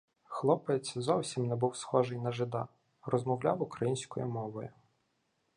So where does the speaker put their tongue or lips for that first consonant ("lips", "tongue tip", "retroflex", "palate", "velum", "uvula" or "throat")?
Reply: velum